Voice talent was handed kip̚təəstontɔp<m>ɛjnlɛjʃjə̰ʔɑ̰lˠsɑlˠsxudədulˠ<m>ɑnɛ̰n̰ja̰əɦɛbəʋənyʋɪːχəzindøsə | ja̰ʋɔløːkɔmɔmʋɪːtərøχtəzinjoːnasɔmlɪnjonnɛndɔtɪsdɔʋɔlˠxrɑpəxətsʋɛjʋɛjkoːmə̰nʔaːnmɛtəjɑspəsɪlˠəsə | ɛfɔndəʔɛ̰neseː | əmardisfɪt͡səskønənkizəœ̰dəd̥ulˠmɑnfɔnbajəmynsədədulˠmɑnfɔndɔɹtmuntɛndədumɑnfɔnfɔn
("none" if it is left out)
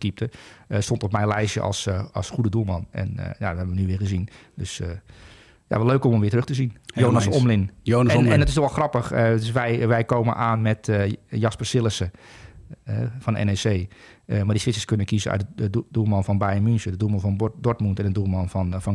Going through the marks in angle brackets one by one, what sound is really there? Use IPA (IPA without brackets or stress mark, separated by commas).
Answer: m, m